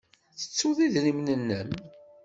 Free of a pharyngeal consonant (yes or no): yes